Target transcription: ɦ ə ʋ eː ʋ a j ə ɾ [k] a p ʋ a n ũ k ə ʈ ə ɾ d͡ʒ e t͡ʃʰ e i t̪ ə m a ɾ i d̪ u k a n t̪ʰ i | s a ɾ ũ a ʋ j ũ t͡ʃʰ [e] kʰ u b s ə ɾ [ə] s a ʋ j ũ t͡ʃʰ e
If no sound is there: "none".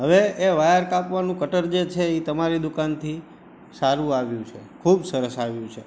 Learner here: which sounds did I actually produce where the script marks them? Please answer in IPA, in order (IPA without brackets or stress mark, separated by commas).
k, e, ə